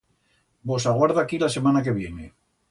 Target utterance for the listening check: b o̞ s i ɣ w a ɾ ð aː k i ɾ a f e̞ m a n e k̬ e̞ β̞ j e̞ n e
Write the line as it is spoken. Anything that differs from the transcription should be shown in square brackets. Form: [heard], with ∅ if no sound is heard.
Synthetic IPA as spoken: b o̞ s [a] ɣ w a ɾ ð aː k i [l] a [s] e̞ m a n [a] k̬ e̞ β̞ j e̞ n e